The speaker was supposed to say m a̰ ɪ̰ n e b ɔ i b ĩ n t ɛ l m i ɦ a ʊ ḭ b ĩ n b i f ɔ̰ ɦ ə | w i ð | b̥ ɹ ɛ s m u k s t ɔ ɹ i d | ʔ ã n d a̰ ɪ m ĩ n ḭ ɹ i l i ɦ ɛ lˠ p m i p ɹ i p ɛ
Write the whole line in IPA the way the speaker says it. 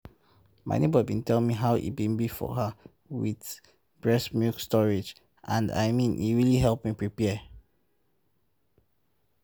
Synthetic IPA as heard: m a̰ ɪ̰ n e b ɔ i b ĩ n t ɛ l m i ɦ a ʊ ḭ b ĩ n b i f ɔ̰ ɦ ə | w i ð | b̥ ɹ ɛ s m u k s t ɔ ɹ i d͡ʒ | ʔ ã n d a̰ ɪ m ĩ n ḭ ɹ i l i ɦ ɛ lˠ p m i p ɹ i p ɛ